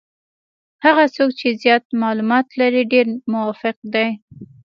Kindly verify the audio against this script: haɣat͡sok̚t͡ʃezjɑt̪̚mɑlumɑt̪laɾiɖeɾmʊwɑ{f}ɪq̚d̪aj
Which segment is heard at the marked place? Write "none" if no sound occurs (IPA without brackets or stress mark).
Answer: f